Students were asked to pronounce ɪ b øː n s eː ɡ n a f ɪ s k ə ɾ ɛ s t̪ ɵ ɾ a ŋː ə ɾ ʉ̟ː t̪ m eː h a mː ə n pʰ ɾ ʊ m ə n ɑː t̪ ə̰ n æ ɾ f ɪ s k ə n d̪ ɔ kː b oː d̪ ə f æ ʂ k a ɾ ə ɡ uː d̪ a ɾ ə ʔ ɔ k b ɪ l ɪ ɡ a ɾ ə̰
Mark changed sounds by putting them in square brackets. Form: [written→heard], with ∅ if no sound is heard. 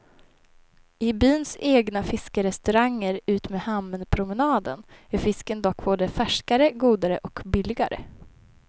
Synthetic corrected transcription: ɪ b [øː→yː] n s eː ɡ n a f ɪ s k ə ɾ ɛ s t̪ ɵ ɾ a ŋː ə ɾ ʉ̟ː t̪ m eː h a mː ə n pʰ ɾ ʊ m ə n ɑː [t̪→d̪] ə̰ n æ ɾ f ɪ s k ə n d̪ ɔ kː b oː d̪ ə f æ ʂ k a ɾ ə ɡ uː d̪ a ɾ ə ʔ ɔ k b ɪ l ɪ ɡ a ɾ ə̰